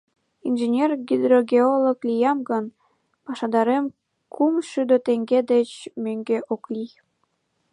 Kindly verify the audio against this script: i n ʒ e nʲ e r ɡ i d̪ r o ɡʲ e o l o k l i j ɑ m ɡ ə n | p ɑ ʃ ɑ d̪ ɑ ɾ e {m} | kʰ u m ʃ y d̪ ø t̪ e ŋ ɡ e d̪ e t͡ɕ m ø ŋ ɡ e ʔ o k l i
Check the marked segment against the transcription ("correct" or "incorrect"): correct